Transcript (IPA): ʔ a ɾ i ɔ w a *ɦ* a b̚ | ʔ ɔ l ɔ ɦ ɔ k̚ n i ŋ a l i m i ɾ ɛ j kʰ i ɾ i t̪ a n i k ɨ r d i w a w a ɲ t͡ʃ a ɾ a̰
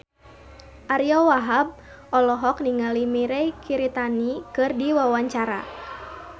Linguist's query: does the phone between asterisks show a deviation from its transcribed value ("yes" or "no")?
no